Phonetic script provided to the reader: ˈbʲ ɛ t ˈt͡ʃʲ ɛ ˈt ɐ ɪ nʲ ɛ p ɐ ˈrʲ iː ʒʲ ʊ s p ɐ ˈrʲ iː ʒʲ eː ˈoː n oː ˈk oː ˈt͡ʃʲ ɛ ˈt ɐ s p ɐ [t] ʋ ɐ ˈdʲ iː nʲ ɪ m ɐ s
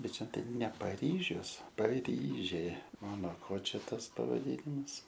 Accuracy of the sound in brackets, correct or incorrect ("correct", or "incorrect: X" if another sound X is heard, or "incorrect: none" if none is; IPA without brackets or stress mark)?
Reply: incorrect: none